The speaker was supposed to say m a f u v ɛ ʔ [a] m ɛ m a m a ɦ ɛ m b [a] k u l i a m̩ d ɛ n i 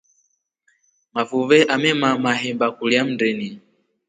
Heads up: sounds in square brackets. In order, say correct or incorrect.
correct, correct

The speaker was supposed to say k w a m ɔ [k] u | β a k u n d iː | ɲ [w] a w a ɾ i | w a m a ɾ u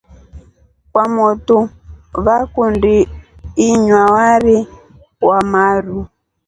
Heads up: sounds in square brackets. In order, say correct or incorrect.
incorrect, correct

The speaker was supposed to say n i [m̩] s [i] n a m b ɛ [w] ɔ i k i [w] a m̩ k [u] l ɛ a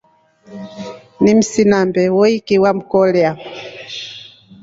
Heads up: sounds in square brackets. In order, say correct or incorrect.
correct, correct, correct, correct, incorrect

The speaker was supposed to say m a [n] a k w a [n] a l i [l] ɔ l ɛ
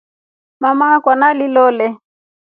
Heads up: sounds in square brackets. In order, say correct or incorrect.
incorrect, correct, correct

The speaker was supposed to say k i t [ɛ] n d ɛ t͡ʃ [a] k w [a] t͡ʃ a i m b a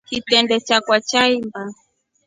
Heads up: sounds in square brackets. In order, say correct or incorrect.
correct, correct, correct

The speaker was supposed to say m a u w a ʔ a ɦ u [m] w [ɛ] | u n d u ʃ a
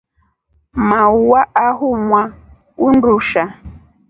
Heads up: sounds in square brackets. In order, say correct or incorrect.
correct, incorrect

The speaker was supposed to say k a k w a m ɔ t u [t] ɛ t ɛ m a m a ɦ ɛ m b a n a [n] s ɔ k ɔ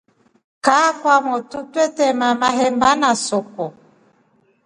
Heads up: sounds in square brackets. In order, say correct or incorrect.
correct, incorrect

